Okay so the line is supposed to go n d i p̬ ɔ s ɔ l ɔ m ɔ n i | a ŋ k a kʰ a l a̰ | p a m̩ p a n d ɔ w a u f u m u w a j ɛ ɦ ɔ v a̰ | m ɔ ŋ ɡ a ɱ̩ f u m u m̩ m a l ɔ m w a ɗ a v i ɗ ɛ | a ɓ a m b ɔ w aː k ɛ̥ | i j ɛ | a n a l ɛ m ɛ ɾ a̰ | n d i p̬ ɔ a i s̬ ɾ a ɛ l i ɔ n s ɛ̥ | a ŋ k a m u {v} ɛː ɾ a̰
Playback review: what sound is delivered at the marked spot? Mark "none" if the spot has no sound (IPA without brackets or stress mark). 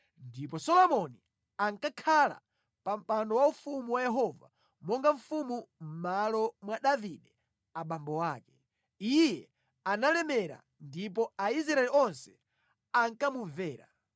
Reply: v